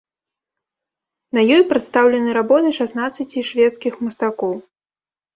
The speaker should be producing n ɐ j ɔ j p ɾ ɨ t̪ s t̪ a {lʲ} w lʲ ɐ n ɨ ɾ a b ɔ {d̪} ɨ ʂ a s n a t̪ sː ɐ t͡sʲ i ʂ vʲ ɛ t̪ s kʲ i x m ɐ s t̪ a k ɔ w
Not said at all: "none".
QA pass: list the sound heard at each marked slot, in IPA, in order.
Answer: none, t̪

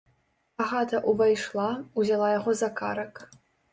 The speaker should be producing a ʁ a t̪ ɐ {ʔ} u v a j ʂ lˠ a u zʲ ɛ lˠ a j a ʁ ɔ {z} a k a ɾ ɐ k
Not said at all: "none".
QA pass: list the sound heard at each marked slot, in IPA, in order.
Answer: ʔ, z

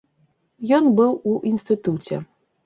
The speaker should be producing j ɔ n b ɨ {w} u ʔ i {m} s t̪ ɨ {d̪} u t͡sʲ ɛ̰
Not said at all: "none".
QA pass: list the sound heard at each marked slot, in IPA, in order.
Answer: w, n, t̪

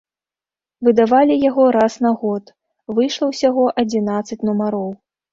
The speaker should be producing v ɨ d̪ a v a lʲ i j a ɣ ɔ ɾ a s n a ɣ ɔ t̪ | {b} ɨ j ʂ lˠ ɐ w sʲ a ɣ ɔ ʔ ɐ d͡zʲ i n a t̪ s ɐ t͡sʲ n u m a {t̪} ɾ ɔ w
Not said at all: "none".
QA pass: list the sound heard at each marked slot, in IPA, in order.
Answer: v, none

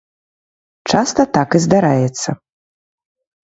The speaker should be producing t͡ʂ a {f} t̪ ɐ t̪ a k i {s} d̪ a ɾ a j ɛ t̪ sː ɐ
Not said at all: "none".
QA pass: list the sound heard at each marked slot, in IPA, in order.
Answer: s, z

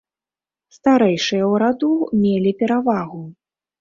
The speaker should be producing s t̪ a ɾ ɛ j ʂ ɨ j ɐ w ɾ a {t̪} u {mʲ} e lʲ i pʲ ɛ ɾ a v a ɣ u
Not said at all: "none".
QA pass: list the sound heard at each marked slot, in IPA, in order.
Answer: d̪, mʲ

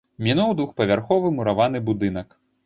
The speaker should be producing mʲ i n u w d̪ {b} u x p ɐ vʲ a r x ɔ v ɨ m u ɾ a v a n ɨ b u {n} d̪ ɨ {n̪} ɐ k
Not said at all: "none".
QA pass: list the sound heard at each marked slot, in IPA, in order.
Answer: v, none, n̪

